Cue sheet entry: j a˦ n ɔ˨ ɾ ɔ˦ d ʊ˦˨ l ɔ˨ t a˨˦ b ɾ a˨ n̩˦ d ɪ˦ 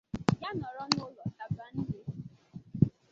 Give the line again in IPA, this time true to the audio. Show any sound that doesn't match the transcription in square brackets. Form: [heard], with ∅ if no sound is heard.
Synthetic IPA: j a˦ n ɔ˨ ɾ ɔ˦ [n] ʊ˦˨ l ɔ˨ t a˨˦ b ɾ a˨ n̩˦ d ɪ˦